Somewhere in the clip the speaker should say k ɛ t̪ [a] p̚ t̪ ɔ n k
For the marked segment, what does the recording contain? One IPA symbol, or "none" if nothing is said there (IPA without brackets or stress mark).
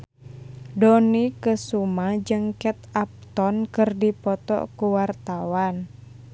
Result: a